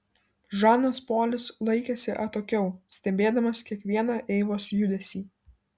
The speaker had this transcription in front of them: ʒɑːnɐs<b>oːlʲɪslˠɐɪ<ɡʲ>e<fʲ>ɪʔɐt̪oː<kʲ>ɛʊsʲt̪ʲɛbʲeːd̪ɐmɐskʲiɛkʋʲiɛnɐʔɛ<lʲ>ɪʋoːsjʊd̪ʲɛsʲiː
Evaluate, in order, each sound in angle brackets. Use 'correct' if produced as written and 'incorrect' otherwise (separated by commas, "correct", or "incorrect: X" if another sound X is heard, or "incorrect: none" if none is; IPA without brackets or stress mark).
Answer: incorrect: p, incorrect: kʲ, incorrect: sʲ, correct, incorrect: none